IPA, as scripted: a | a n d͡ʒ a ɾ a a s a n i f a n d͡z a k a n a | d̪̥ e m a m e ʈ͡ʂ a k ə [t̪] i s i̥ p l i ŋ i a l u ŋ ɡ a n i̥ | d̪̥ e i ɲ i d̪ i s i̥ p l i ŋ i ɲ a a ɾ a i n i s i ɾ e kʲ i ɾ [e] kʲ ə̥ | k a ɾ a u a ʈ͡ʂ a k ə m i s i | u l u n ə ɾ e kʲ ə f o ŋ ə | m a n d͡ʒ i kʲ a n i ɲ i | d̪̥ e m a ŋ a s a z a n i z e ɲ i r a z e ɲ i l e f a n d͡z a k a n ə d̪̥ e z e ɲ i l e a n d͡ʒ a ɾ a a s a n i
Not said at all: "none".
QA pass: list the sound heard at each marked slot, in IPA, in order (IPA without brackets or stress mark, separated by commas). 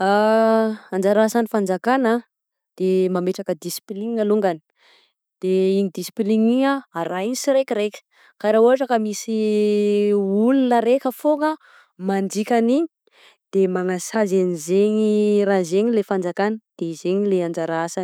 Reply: d̪, e